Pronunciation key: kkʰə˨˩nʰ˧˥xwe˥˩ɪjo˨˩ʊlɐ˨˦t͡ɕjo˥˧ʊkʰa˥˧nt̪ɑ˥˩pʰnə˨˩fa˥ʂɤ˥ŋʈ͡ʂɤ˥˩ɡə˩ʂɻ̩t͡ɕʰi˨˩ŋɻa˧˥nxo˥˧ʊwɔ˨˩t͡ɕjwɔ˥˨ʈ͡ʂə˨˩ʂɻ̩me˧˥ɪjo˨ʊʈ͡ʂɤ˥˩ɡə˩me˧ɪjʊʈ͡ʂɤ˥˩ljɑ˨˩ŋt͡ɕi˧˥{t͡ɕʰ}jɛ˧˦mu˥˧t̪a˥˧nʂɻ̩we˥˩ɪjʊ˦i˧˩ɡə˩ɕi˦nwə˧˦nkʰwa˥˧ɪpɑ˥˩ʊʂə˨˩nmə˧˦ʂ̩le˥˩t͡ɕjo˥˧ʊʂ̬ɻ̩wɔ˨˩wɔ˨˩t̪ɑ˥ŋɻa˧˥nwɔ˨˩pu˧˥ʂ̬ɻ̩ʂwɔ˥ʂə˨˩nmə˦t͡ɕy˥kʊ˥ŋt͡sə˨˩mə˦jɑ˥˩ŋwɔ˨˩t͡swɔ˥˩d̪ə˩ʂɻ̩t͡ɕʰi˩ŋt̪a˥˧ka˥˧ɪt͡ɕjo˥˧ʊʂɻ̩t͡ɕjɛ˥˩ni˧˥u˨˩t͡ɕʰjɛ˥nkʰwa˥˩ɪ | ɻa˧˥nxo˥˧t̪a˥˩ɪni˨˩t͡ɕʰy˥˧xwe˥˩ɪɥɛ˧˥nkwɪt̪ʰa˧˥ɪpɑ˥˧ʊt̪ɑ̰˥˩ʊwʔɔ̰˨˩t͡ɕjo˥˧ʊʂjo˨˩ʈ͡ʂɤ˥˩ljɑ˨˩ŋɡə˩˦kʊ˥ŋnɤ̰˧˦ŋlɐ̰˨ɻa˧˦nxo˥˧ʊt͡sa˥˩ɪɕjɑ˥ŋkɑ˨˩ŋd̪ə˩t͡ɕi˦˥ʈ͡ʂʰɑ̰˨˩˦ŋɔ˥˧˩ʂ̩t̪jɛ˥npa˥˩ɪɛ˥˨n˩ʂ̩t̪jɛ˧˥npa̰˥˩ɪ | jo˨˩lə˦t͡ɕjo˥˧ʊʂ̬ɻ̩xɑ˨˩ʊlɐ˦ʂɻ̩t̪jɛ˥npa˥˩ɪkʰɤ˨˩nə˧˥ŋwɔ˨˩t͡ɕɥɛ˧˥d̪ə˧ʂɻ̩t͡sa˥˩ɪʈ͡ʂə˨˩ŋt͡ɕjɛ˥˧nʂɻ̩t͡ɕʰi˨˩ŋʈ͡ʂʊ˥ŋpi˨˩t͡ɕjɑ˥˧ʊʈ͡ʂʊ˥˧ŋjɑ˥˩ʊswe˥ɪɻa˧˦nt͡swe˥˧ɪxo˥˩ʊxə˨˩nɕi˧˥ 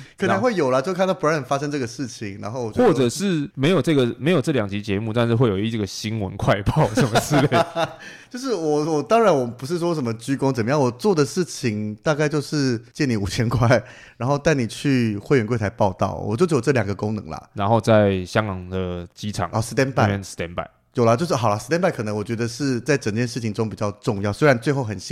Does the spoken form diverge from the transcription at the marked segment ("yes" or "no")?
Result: yes